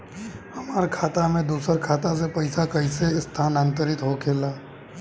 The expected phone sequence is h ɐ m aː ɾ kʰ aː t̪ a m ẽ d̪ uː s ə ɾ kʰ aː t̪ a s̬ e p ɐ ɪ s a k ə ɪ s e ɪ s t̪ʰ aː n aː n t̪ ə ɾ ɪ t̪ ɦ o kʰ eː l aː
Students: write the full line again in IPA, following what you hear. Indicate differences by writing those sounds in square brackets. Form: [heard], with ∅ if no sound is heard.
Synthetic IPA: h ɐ m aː ɾ kʰ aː t̪ a m ẽ d̪ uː s ə ɾ kʰ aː t̪ a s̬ e p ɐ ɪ s a k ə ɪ s e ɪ s t̪ʰ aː n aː n t̪ ə ɾ ɪ t̪ ɦ o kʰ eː l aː